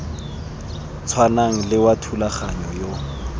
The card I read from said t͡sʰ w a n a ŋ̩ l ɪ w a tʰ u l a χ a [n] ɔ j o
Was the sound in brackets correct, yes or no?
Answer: no